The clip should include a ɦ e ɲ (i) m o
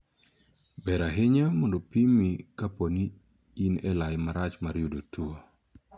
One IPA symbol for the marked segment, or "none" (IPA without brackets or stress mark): a